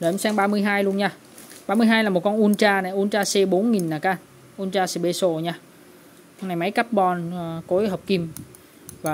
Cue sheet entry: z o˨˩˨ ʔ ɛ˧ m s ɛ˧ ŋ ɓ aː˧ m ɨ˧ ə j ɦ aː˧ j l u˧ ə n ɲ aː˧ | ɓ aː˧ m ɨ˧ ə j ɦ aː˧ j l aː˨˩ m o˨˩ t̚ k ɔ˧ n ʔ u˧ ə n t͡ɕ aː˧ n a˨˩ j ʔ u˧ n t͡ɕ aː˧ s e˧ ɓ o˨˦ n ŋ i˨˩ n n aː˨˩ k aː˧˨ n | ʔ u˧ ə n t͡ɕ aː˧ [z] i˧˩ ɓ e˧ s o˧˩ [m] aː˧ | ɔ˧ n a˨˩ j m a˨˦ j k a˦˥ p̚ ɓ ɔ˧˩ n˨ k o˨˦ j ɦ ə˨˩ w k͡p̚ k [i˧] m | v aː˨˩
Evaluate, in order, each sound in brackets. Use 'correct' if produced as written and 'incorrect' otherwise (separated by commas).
incorrect, incorrect, correct